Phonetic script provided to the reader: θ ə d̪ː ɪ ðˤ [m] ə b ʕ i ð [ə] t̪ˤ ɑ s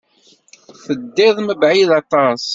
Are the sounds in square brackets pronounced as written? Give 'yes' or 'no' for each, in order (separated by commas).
yes, no